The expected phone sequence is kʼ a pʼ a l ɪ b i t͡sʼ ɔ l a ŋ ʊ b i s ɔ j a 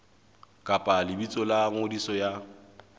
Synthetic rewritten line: kʼ a pʼ a l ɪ b i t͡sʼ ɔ l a ŋ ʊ d i s ɔ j a